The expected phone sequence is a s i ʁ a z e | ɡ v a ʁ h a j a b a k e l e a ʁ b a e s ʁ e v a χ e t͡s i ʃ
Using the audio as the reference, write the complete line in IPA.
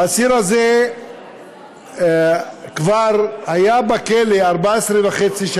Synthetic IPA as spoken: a s i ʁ a z e | k v a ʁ h a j a b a k e l e a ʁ b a e s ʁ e v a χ e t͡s i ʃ